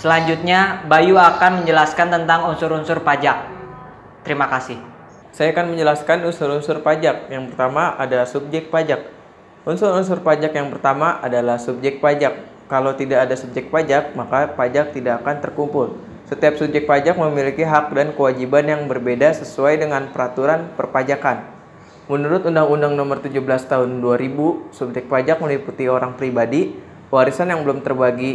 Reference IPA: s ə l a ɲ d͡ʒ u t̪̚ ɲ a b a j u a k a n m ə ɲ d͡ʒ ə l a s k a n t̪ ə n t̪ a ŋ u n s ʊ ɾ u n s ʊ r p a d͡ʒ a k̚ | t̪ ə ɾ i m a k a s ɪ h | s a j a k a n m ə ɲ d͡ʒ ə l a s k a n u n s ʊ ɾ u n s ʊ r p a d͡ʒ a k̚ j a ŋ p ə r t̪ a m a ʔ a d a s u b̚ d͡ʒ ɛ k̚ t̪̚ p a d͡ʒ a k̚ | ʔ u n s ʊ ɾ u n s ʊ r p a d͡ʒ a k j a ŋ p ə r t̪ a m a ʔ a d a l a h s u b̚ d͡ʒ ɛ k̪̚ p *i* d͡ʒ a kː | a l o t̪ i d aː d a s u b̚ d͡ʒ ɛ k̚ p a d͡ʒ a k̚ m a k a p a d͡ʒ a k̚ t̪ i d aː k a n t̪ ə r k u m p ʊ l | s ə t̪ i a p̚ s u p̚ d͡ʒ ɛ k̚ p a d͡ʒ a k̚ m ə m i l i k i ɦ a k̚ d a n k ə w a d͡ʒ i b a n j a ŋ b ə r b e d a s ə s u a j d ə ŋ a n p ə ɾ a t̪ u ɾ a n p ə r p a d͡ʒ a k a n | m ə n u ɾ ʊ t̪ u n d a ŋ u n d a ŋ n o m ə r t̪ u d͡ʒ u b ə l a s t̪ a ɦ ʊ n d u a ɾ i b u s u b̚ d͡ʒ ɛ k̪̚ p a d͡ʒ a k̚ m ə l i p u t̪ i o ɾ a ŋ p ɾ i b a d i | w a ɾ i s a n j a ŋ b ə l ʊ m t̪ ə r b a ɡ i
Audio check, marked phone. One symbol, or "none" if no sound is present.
a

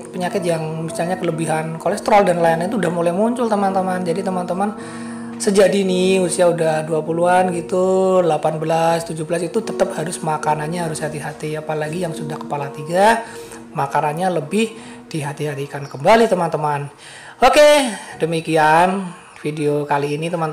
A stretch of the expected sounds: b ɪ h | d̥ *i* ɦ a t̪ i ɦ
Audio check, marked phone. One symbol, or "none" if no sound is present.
i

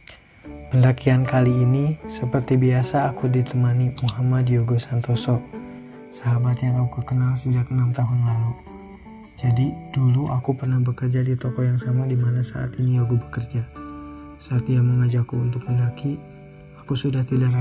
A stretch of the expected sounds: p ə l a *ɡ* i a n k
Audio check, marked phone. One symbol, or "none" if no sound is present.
k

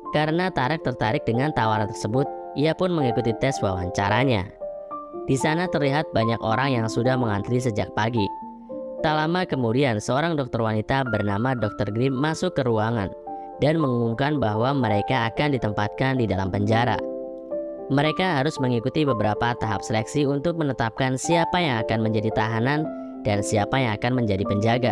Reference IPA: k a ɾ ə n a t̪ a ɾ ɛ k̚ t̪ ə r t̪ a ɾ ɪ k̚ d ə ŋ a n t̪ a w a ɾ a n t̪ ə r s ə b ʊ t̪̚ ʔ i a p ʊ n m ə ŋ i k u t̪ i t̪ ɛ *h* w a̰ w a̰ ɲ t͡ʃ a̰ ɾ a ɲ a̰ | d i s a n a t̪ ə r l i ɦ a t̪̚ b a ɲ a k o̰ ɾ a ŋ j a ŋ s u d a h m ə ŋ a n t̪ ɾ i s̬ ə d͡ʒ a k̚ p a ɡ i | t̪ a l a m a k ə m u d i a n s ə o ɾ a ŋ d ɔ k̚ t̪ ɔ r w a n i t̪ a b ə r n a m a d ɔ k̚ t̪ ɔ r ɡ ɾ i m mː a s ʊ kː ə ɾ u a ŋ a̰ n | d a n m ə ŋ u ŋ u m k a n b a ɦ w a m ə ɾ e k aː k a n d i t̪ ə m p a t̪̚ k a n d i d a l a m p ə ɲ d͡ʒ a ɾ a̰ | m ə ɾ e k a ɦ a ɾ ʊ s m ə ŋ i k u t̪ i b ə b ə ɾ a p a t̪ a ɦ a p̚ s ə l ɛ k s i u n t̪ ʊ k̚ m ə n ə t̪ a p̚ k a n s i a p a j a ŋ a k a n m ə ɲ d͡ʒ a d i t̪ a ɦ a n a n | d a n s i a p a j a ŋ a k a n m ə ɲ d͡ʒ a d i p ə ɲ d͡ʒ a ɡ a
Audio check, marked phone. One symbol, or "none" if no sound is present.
s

